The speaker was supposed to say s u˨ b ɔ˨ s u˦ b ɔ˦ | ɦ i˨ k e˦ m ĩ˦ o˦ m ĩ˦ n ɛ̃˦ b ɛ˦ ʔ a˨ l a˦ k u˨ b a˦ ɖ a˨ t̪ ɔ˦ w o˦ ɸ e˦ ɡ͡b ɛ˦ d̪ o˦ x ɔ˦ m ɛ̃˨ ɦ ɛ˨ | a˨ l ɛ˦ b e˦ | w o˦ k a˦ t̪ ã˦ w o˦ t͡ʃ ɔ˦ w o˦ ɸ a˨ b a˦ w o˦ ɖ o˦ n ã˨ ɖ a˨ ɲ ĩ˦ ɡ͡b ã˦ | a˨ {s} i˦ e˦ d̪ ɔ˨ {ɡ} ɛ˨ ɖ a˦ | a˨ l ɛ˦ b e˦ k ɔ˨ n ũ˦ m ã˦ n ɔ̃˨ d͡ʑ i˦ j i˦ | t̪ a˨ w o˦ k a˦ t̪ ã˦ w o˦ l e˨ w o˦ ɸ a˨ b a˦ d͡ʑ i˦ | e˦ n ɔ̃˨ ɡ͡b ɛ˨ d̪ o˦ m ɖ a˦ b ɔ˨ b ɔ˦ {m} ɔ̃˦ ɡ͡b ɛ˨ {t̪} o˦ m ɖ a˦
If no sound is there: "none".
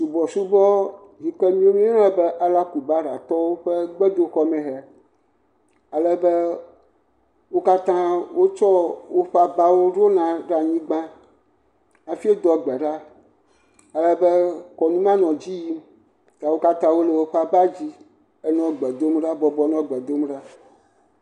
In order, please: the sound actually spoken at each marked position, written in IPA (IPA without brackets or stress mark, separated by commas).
f, ɡ͡b, n, d̪